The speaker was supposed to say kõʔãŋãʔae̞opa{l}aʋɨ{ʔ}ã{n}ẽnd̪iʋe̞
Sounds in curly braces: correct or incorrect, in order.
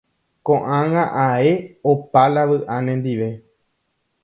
correct, correct, correct

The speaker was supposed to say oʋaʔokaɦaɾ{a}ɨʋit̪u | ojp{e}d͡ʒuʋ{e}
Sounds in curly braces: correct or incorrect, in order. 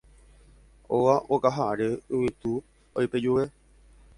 incorrect: e, correct, correct

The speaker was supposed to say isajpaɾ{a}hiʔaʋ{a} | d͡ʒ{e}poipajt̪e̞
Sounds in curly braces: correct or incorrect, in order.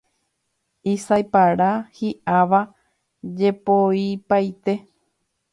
correct, correct, correct

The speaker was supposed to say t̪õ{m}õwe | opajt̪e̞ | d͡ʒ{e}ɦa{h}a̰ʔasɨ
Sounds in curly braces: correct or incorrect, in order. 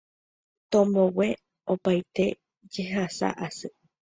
correct, correct, incorrect: s

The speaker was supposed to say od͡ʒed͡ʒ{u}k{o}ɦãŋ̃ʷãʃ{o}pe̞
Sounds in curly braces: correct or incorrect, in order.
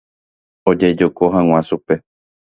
incorrect: o, correct, incorrect: u

